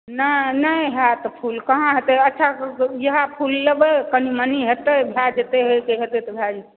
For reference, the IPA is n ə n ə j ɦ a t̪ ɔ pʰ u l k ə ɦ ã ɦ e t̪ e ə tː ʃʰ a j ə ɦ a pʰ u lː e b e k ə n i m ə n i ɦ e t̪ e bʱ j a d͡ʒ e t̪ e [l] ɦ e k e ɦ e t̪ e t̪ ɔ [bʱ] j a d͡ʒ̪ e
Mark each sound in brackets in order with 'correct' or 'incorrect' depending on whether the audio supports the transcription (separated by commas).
incorrect, correct